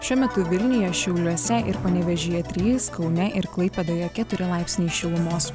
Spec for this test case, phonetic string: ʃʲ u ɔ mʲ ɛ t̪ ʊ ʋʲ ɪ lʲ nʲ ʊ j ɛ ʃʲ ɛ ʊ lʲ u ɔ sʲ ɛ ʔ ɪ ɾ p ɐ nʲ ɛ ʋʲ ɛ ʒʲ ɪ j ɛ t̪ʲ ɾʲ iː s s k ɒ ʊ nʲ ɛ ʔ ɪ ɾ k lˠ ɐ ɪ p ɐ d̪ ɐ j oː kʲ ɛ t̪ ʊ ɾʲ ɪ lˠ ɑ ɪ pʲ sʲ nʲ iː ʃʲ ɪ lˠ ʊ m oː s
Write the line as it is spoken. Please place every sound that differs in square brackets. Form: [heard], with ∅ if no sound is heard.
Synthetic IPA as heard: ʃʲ u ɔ mʲ ɛ t̪ ʊ ʋʲ ɪ lʲ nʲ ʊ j ɛ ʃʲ ɛ ʊ lʲ u ɔ sʲ ɛ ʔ ɪ ɾ p ɐ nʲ ɛ ʋʲ ɛ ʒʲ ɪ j ɛ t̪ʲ ɾʲ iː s s k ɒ ʊ nʲ ɛ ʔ ɪ ɾ k lˠ ɐ ɪ p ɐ d̪ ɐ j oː kʲ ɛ t̪ ʊ ɾʲ ɪ lˠ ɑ ɪ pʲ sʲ nʲ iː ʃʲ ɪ lˠ ʊ m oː s